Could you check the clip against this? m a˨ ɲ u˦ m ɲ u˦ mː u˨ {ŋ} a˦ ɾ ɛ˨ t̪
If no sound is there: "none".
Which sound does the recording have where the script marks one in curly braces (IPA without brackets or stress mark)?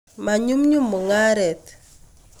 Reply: ŋ